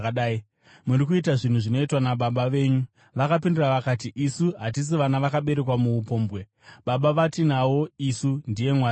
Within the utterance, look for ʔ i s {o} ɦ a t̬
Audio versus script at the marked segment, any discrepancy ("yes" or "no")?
yes